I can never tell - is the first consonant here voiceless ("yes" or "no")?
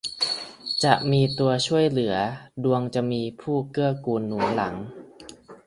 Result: yes